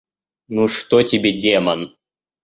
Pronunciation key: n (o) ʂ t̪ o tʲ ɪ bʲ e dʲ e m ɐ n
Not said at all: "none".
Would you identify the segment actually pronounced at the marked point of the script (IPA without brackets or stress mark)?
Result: u